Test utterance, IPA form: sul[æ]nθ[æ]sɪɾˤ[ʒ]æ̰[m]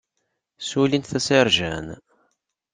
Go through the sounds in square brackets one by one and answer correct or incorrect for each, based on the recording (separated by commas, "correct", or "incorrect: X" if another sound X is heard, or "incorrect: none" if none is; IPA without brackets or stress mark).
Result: incorrect: i, correct, correct, incorrect: n